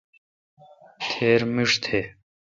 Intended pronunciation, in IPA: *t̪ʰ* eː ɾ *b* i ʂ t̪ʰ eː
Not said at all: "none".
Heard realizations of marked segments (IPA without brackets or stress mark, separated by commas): t̪ʰ, m